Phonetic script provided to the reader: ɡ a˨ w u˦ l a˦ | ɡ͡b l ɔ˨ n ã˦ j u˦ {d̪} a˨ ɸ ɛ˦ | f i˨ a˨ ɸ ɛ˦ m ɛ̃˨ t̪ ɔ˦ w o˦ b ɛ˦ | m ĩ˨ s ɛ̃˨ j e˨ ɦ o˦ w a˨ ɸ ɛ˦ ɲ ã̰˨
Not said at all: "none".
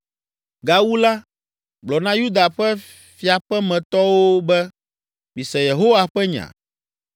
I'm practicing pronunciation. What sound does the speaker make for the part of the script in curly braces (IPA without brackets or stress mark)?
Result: d̪